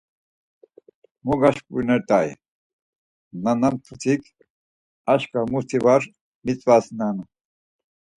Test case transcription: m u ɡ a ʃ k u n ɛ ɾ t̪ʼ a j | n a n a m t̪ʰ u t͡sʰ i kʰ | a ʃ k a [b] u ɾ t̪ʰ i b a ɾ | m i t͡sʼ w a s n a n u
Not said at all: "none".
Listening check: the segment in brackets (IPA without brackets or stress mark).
m